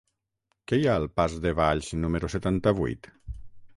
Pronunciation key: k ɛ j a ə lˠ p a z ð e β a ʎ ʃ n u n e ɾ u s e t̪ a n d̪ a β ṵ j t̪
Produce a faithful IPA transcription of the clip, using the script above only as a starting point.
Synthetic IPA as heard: k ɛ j a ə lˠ p a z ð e β a ʎ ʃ n u m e ɾ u s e t̪ a n t̪ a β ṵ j t̪